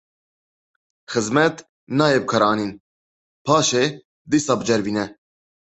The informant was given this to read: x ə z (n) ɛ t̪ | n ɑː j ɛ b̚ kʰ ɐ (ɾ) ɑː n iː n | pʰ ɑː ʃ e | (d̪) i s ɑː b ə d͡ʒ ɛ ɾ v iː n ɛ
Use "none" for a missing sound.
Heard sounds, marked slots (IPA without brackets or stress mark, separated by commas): m, ɾ, d̪